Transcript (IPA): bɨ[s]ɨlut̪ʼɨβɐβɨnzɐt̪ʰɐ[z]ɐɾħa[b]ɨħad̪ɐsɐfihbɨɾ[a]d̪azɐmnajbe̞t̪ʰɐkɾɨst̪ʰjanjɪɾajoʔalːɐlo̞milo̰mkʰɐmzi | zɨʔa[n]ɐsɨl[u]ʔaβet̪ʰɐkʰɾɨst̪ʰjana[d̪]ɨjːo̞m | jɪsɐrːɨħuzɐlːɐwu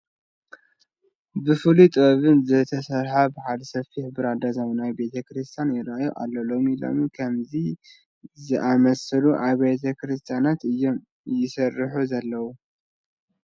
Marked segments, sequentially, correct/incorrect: incorrect: f, incorrect: s, correct, correct, incorrect: m, correct, incorrect: t̪

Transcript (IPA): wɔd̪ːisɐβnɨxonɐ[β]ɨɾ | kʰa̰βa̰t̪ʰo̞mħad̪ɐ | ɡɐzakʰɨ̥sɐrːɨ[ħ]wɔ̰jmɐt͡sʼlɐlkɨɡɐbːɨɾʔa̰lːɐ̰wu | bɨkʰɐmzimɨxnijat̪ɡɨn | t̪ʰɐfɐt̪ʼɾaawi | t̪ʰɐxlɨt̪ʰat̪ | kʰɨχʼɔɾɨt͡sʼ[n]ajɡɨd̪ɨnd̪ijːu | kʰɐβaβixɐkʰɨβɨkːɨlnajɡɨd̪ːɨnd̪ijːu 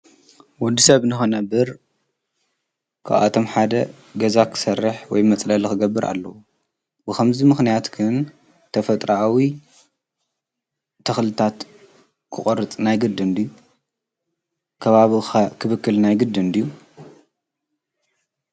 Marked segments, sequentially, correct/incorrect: incorrect: b, correct, correct

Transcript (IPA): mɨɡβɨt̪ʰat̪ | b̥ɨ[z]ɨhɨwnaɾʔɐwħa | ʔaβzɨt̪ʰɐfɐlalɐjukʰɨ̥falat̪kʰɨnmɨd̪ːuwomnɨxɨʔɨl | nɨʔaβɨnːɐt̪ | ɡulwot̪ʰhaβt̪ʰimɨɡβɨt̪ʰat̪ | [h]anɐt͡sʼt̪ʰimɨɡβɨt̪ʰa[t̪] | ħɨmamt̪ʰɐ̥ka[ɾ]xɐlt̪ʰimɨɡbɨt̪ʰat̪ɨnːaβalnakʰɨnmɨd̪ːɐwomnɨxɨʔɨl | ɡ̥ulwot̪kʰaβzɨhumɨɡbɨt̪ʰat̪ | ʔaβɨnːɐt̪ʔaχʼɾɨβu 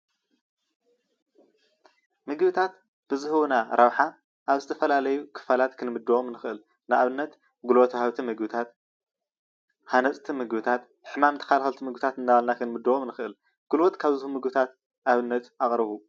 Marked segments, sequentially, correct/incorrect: correct, correct, correct, incorrect: l

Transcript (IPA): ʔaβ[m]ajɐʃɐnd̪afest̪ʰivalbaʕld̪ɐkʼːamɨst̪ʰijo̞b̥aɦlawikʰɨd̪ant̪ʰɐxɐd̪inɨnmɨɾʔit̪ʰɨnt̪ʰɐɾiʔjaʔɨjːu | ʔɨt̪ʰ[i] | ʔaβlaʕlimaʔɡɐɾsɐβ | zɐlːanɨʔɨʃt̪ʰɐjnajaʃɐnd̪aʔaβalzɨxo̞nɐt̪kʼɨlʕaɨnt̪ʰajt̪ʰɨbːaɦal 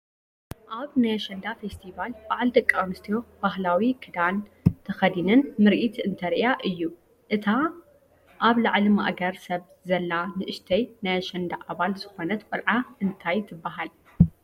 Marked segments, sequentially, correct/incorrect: incorrect: n, incorrect: a

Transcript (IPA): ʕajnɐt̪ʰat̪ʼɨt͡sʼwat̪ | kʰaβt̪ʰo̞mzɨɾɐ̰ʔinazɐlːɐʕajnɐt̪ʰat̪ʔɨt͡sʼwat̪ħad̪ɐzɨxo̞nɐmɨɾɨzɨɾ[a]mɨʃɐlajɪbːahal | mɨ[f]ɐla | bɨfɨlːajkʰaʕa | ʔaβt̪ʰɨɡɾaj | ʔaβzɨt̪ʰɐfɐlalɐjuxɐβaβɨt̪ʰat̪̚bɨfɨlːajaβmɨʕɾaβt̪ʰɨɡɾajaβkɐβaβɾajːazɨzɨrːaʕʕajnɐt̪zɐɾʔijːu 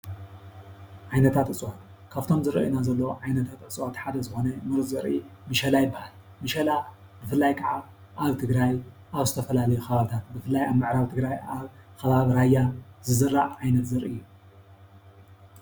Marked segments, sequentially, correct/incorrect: incorrect: i, incorrect: ʃ

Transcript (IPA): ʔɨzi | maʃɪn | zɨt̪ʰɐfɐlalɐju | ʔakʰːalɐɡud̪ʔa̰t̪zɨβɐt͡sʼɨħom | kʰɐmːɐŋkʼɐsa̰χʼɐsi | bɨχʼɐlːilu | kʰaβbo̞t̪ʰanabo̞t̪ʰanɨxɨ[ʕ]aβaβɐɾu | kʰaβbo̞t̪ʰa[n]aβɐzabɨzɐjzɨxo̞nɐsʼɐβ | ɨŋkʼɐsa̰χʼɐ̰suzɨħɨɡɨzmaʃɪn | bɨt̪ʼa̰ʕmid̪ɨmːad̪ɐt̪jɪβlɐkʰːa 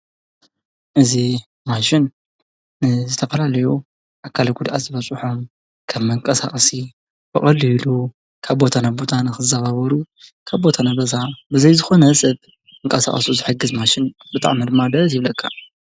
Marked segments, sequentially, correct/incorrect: incorrect: z, correct

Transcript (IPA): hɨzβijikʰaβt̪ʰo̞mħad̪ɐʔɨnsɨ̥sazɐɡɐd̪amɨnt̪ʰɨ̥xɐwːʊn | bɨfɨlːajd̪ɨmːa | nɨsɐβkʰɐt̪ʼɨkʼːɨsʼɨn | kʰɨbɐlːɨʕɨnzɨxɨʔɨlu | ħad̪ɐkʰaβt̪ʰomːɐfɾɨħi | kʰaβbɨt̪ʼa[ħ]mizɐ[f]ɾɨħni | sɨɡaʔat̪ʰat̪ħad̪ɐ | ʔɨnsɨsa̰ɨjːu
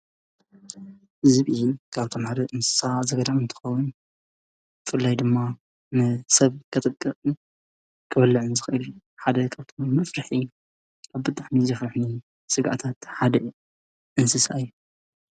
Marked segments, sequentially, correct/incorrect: correct, correct

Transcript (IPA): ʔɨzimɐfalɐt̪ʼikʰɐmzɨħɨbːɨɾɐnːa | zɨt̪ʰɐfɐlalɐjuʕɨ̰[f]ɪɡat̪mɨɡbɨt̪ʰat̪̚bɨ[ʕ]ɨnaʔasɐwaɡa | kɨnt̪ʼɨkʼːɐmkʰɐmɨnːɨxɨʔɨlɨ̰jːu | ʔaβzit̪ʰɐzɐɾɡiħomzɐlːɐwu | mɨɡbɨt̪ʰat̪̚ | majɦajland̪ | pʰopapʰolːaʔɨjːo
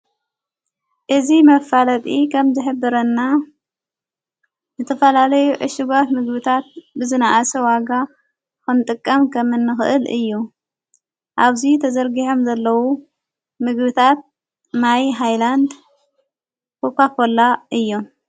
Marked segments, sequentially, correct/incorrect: incorrect: ʃ, incorrect: z

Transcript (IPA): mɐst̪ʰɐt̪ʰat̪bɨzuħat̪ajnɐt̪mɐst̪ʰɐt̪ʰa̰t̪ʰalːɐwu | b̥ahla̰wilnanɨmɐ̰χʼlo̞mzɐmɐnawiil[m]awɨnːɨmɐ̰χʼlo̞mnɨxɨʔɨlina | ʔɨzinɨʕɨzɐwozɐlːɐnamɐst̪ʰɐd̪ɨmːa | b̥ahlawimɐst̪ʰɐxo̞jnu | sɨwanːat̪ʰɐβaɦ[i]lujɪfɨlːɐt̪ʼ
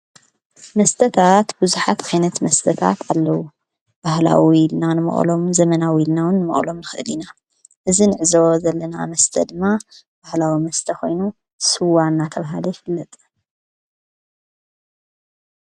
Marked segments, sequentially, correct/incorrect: incorrect: n, incorrect: a

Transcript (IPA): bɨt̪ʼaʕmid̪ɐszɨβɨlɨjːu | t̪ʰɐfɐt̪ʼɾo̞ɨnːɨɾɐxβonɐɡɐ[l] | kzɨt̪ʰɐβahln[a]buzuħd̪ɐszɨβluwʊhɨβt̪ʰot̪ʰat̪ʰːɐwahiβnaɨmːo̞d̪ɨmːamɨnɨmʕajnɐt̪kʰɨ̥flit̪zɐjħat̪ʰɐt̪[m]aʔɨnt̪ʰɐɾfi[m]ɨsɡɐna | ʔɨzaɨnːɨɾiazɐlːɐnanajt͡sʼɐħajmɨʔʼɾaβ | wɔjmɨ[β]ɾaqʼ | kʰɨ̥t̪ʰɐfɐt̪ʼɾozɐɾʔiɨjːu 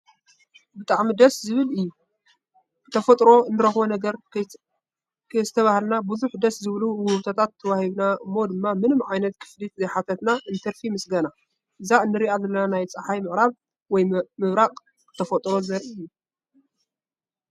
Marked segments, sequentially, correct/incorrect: incorrect: ɾ, correct, incorrect: n, correct, correct

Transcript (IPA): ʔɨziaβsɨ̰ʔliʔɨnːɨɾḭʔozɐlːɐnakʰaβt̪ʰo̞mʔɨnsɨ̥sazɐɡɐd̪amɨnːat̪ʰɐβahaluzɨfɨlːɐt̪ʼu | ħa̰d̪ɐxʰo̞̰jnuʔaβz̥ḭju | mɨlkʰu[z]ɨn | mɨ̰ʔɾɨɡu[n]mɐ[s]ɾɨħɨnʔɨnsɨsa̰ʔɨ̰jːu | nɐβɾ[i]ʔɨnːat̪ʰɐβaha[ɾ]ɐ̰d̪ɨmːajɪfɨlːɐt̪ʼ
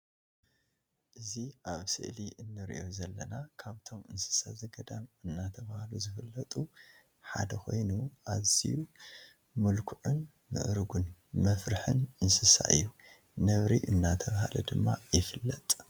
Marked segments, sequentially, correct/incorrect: incorrect: ʕ, correct, incorrect: f, correct, incorrect: l

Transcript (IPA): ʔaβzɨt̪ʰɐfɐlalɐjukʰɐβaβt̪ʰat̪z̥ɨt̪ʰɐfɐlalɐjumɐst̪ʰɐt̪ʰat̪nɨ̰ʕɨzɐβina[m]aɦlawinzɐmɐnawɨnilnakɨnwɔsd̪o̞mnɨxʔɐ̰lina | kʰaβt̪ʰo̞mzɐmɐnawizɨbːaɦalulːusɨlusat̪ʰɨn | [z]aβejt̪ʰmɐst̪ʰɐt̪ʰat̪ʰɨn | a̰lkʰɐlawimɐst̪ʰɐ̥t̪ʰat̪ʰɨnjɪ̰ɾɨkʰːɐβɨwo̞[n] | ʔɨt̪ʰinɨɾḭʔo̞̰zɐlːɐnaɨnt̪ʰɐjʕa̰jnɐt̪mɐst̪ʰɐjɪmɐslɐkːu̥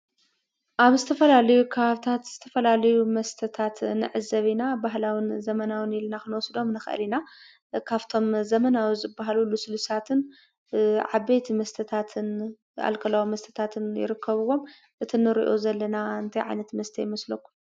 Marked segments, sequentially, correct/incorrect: incorrect: b, incorrect: ʕ, incorrect: m

